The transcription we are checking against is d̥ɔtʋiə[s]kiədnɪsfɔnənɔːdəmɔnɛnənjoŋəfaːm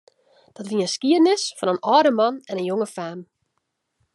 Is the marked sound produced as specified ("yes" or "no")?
yes